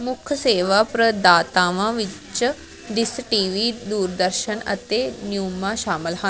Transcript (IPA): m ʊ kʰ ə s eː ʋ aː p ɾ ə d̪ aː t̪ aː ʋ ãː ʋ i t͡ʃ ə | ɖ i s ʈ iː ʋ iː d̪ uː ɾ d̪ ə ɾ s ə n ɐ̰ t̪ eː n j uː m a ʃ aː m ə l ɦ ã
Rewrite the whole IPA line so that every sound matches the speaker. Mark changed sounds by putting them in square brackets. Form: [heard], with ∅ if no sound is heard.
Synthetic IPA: m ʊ kʰ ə s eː ʋ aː p ɾ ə d̪ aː t̪ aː ʋ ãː ʋ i t͡ʃ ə | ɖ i s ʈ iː ʋ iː d̪ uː ɾ d̪ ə ɾ [ʃ] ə n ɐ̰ t̪ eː n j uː m a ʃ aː m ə l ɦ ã